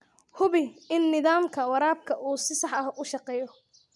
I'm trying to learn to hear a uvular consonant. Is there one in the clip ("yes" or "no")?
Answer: yes